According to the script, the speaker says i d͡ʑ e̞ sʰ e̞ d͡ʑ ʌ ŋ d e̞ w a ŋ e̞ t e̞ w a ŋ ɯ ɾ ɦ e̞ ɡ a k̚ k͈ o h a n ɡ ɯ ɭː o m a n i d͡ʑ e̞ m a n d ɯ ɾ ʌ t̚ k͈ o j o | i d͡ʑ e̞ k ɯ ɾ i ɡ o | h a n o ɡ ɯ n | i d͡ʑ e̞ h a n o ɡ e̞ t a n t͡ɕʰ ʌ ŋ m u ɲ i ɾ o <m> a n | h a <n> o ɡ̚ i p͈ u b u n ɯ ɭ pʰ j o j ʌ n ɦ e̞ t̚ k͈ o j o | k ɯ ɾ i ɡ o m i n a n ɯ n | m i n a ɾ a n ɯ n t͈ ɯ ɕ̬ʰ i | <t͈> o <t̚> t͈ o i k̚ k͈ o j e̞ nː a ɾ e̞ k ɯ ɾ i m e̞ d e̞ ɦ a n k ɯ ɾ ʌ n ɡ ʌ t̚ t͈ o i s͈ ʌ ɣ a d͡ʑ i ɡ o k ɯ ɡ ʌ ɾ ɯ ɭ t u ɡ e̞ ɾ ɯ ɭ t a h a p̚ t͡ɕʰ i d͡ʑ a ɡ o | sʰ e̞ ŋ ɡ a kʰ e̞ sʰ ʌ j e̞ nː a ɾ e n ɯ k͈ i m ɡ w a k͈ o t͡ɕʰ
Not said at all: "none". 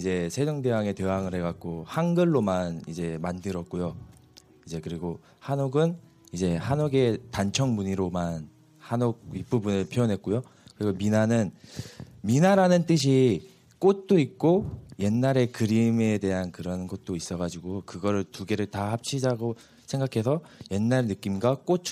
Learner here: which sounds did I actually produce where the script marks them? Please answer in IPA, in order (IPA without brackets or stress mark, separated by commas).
m, n, k͈, t̚